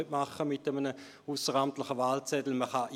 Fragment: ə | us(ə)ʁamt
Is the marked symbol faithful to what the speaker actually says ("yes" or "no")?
yes